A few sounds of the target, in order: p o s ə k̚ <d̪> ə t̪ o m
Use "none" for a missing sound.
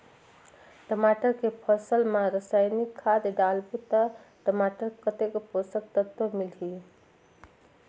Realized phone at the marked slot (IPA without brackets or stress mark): t̪